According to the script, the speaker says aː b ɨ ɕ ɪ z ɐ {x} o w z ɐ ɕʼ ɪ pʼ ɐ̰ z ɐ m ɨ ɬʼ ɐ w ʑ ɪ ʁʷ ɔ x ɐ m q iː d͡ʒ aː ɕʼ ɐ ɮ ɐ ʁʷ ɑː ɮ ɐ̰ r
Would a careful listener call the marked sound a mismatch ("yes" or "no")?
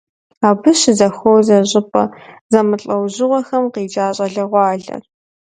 no